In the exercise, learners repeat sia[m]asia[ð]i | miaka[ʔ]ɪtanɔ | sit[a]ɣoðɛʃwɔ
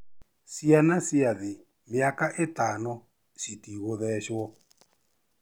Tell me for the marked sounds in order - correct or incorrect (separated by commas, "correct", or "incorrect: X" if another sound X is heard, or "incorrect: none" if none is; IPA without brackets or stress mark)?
incorrect: n, correct, correct, incorrect: i